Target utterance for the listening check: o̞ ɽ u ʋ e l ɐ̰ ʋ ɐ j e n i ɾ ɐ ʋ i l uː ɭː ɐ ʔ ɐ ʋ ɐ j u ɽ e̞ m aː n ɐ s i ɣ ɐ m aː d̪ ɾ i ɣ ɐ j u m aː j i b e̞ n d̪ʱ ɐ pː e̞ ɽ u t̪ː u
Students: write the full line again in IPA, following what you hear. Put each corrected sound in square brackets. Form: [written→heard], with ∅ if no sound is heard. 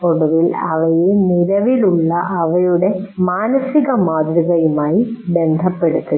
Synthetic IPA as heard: o̞ ɽ u ʋ [e→i] l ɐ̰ ʋ ɐ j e n i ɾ ɐ ʋ i l [uː→u] ɭː ɐ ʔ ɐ ʋ ɐ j u ɽ e̞ m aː n ɐ s i ɣ ɐ m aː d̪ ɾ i ɣ ɐ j u m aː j i b e̞ n d̪ʱ ɐ pː e̞ ɽ u t̪ː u